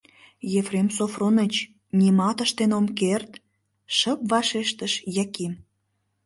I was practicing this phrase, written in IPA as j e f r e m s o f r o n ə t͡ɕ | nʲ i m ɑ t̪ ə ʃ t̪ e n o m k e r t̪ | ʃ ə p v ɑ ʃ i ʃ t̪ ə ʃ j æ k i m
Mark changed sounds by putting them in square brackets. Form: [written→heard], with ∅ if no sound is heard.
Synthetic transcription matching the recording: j e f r e m s o f r o n ə t͡ɕ | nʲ i m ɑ t̪ ə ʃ t̪ e n o m k e r t̪ | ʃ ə p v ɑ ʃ [i→e] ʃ t̪ ə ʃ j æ k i m